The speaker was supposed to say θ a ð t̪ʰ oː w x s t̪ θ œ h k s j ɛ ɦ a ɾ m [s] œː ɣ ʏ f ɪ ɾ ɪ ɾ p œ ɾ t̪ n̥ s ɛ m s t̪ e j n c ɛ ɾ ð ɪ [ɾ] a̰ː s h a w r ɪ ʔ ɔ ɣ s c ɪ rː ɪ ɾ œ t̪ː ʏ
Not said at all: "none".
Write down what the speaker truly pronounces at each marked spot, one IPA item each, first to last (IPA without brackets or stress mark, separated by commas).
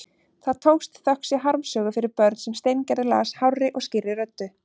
s, l